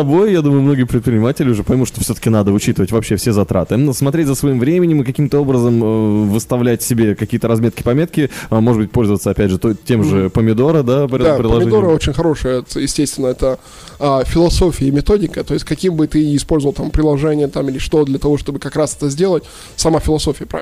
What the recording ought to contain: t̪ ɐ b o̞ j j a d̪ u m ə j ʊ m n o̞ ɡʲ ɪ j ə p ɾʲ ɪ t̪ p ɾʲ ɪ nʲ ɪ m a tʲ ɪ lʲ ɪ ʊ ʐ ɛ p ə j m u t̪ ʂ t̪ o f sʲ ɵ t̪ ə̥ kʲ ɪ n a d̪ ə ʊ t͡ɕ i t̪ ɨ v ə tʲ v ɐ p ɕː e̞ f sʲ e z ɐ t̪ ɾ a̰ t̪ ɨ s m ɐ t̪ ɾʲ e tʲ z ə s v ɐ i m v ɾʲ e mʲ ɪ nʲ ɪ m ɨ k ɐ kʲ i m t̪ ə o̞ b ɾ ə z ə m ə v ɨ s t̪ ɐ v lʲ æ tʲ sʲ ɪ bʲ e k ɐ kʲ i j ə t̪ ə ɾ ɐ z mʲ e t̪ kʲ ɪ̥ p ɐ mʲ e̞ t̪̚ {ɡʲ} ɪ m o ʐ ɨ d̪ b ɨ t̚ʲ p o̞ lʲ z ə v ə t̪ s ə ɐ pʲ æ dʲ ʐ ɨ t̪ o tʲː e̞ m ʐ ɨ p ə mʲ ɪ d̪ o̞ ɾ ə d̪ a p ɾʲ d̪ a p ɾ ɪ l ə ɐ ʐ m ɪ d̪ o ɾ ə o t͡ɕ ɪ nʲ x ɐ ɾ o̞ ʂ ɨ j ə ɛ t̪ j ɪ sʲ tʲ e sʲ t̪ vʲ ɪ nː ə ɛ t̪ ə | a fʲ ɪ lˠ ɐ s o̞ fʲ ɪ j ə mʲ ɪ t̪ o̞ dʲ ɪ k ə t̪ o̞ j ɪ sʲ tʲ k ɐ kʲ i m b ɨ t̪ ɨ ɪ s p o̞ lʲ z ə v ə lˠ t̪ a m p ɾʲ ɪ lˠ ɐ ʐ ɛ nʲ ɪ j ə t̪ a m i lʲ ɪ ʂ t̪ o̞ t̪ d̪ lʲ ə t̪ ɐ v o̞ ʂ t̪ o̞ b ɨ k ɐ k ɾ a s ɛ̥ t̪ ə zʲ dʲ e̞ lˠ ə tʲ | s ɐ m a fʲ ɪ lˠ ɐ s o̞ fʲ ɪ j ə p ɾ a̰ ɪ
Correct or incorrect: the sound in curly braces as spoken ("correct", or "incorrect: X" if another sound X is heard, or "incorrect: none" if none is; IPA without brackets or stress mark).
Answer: incorrect: kʲ